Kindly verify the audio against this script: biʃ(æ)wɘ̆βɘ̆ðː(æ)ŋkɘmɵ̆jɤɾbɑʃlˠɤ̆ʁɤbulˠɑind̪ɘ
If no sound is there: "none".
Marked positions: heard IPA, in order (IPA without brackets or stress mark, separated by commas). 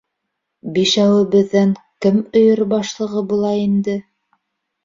æ, æ